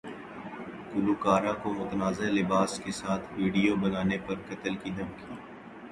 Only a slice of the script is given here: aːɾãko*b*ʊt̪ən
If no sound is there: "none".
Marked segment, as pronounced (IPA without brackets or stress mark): m